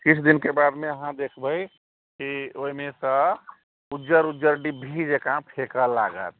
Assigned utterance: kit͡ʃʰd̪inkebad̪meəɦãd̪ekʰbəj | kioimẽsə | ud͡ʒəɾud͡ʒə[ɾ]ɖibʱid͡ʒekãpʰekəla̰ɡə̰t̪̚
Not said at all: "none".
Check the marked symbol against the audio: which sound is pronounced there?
ɾ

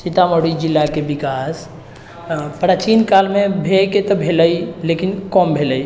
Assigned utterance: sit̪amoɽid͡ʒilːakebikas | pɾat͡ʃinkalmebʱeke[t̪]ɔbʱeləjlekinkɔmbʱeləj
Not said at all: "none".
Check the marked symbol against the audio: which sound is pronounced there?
t̪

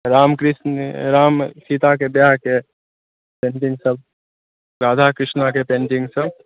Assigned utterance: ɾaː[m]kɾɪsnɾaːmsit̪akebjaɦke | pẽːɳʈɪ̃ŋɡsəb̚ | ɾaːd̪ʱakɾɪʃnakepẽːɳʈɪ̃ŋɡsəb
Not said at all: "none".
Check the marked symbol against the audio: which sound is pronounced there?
m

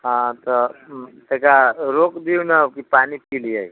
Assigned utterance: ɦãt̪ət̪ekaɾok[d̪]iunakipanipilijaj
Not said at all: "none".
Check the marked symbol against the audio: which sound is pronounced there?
d̪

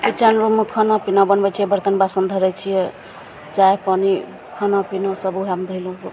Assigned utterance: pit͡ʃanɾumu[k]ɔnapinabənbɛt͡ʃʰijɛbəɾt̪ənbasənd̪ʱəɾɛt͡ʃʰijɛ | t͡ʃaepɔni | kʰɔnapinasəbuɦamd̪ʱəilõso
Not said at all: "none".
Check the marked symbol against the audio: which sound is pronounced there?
kʰ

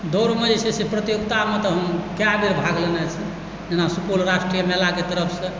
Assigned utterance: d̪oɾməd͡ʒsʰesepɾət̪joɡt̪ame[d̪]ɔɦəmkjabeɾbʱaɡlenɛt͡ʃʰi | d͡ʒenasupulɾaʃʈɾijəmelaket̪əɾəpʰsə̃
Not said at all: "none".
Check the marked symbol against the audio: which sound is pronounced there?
t̪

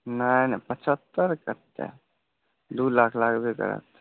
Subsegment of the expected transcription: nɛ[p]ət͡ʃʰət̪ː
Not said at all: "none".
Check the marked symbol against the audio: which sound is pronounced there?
p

